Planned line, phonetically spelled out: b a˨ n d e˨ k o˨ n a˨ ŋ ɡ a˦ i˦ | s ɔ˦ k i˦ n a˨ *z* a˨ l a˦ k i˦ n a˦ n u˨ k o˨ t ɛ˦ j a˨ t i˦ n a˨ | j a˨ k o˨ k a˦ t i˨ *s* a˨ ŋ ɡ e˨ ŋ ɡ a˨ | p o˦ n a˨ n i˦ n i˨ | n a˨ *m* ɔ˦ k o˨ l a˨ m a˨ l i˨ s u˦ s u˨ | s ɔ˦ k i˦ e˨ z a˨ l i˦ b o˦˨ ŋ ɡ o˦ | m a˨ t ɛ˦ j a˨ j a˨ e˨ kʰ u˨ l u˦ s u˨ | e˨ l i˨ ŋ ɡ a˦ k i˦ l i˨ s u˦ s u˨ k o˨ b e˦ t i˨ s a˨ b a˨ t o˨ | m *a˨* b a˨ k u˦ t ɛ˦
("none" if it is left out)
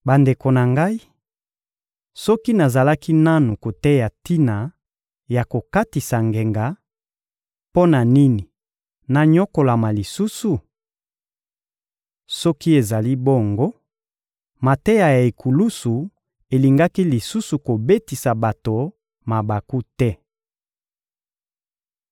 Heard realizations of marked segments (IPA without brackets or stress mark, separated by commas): z, s, ɲ, a˨